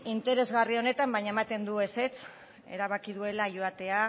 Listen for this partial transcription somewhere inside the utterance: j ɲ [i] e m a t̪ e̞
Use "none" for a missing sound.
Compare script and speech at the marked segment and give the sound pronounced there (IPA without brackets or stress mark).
a